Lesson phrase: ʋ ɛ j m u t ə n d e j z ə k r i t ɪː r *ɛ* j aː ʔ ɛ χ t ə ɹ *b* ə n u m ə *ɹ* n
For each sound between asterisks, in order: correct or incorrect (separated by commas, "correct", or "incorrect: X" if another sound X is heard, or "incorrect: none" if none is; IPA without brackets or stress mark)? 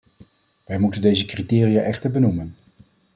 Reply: incorrect: i, correct, incorrect: none